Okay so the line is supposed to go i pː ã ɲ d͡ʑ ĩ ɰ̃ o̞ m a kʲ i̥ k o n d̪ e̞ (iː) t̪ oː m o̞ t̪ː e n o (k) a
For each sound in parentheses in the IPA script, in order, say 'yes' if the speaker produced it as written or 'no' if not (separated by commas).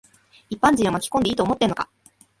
yes, yes